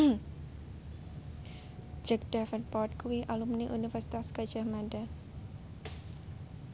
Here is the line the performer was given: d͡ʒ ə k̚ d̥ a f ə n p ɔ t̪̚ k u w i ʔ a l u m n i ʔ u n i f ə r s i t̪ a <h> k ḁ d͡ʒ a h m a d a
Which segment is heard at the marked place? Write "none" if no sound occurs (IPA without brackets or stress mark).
s